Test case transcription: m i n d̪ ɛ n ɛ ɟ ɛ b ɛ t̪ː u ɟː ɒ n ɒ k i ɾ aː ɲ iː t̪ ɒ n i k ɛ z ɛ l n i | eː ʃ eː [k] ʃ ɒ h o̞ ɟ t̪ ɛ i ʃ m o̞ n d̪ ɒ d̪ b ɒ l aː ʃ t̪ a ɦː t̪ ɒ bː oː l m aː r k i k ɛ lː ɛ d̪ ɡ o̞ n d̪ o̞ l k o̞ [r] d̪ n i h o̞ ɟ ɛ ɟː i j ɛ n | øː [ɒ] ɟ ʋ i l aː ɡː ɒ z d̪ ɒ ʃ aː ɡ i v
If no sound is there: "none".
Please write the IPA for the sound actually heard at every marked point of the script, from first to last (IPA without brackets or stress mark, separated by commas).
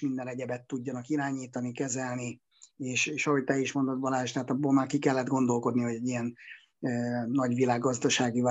none, none, ɒ